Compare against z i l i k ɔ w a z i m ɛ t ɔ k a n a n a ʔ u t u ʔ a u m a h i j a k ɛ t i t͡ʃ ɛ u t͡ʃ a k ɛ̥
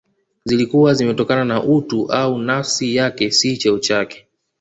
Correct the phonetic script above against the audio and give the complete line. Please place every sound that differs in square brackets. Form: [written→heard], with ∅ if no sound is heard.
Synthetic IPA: z i l i k [ɔ→u] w a z i m ɛ t ɔ k a n a n a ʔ u t u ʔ a u [m→n] a [h→s] i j a k ɛ [t→s] i t͡ʃ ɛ u t͡ʃ a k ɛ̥